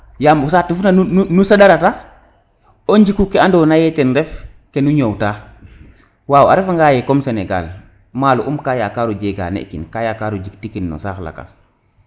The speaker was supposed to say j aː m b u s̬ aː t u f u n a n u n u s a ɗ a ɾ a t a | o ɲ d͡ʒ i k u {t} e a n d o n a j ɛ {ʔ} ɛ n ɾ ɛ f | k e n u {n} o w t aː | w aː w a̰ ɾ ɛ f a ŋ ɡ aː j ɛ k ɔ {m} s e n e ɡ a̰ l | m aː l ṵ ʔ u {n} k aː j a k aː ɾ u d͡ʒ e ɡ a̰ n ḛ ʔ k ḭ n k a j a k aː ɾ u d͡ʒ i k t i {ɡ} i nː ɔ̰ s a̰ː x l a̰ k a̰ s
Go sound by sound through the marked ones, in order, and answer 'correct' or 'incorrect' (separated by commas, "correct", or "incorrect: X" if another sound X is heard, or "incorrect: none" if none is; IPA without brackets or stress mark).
incorrect: k, incorrect: t, incorrect: ɲ, correct, incorrect: m, incorrect: k